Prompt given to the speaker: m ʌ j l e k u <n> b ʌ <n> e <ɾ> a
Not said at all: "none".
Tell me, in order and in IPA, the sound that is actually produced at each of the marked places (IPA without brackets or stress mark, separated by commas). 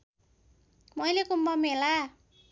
m, m, l